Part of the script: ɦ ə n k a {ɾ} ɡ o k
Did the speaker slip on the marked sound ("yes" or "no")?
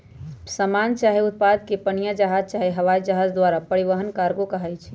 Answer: no